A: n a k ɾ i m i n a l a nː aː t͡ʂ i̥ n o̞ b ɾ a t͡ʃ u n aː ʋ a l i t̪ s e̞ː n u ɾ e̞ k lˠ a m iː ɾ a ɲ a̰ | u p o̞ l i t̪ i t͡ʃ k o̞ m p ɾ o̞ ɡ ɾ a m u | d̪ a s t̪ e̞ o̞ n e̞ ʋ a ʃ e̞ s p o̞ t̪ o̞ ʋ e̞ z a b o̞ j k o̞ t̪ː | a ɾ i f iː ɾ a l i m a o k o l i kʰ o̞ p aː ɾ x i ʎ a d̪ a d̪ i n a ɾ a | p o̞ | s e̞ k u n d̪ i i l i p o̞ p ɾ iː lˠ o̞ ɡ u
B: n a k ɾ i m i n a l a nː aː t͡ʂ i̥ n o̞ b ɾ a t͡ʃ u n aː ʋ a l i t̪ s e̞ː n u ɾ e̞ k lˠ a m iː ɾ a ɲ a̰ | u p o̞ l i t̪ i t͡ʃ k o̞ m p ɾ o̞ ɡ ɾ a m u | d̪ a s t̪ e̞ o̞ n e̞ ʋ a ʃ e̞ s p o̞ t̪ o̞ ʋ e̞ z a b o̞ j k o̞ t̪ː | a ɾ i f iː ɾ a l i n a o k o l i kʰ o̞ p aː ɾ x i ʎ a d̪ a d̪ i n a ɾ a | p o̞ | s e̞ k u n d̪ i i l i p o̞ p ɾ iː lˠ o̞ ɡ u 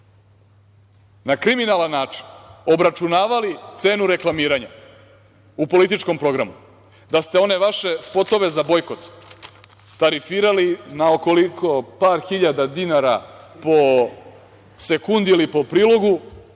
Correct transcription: B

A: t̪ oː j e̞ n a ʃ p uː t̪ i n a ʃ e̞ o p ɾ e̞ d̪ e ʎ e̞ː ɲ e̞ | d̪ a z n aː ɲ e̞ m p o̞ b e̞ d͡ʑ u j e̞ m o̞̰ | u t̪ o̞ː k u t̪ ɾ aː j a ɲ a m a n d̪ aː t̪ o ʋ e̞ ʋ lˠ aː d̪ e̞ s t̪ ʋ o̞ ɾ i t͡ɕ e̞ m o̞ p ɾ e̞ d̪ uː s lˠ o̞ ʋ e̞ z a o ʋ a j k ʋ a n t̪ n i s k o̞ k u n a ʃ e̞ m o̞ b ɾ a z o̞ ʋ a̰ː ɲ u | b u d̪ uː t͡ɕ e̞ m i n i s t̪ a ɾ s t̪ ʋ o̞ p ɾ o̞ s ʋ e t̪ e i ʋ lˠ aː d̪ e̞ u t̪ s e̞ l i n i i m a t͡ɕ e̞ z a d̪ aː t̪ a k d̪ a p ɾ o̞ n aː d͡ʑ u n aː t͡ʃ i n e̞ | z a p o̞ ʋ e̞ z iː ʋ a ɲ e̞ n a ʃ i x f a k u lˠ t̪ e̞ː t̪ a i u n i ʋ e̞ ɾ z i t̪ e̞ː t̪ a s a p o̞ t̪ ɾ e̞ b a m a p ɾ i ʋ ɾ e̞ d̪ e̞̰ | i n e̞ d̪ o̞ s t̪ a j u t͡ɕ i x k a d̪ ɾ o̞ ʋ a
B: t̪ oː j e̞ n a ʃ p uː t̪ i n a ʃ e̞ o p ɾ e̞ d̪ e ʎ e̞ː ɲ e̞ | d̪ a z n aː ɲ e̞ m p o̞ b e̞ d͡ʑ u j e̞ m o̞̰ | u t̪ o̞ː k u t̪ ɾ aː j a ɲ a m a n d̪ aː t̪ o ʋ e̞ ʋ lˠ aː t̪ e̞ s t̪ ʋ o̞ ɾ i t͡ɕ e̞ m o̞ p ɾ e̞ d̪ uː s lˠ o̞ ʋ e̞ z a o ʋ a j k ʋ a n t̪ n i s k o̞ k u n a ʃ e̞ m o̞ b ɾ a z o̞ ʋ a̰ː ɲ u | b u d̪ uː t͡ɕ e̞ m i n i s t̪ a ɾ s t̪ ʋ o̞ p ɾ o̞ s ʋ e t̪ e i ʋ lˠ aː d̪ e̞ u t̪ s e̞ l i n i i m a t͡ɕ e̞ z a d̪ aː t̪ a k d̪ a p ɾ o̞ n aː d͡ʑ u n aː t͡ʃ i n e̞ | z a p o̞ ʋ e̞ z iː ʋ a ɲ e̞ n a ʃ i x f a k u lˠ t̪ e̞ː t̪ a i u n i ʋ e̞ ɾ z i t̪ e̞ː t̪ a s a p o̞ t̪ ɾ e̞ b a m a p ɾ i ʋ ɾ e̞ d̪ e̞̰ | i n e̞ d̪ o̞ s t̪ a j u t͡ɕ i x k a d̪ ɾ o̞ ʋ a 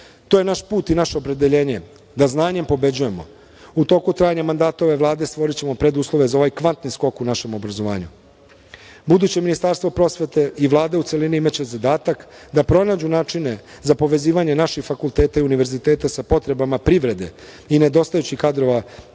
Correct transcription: A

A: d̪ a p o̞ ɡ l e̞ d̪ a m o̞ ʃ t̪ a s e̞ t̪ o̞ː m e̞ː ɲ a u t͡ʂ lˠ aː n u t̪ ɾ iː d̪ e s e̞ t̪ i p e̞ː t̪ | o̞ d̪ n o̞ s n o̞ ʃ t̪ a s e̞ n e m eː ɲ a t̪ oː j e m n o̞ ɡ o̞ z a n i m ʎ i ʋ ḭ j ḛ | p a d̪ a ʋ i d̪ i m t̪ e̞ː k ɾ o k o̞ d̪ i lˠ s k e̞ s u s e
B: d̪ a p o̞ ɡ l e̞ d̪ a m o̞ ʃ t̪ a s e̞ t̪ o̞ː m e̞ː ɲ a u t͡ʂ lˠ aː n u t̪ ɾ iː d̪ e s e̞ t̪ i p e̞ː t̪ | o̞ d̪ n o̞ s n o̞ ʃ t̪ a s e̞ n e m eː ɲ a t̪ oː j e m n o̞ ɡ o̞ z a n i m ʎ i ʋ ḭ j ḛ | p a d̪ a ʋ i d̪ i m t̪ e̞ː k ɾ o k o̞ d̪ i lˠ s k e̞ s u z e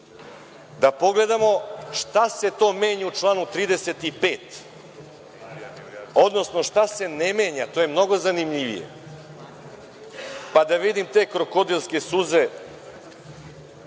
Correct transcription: B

